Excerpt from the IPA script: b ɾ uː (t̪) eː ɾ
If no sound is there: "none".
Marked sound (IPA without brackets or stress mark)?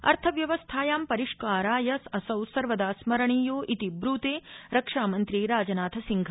t̪